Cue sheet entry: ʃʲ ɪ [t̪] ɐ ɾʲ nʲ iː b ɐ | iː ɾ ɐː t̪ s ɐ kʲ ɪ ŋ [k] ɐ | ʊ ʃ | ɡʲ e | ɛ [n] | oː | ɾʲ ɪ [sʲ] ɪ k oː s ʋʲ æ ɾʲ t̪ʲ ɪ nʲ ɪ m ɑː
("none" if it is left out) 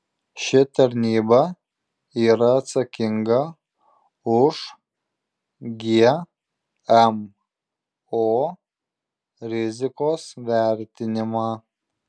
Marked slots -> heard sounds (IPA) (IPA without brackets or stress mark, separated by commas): t̪, ɡ, m, zʲ